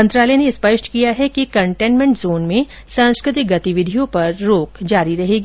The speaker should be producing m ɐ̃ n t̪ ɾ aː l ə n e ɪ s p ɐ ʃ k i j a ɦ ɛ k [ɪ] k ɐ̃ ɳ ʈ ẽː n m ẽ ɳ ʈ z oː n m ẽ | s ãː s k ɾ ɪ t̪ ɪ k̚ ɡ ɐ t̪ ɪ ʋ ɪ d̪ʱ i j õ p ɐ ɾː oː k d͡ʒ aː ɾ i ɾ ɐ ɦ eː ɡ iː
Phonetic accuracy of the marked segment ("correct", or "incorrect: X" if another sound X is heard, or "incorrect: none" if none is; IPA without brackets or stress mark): incorrect: i